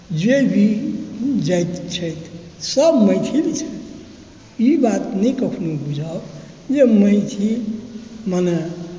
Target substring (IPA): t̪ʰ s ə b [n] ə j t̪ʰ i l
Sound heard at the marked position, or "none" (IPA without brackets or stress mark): m